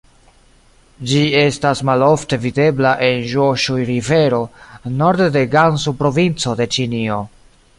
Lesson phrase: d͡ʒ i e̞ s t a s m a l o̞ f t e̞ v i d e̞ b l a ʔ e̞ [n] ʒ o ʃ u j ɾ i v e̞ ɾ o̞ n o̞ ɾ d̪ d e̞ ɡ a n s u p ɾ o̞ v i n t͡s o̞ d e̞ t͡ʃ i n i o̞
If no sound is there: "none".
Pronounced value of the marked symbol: n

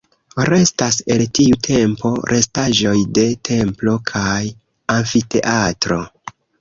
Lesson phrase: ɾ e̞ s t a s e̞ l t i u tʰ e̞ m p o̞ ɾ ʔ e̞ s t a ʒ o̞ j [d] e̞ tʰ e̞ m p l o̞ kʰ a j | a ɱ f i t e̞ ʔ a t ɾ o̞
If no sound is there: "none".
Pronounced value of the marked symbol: d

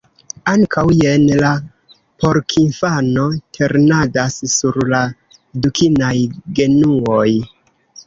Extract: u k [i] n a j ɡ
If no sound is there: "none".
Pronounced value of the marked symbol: i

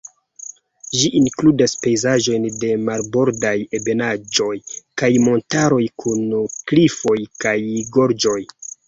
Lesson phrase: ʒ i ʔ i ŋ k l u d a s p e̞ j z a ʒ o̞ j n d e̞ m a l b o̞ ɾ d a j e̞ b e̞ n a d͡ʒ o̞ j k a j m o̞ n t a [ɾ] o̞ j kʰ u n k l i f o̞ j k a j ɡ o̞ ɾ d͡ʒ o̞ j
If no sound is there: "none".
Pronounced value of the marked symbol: ɾ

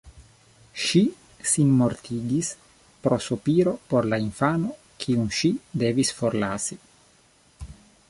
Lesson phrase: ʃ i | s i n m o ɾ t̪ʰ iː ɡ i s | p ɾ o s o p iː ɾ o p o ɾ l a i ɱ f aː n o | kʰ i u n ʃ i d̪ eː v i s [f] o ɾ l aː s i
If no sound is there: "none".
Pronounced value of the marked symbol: f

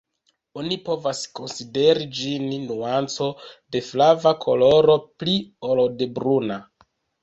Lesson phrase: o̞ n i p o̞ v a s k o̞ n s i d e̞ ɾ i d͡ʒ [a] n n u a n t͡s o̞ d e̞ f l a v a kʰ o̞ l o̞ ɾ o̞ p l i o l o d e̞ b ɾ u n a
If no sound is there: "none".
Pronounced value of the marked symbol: i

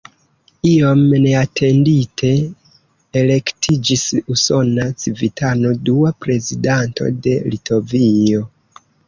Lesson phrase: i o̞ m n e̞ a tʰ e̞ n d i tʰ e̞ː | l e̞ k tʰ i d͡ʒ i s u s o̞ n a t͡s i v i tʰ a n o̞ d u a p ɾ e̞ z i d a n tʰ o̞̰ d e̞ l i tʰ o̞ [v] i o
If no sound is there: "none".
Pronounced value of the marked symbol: v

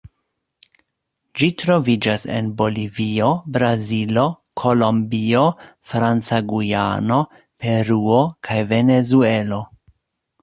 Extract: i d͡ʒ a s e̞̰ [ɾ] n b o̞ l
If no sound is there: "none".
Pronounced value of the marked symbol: none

